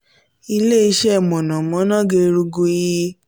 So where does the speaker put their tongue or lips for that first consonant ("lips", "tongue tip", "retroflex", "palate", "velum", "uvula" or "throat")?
tongue tip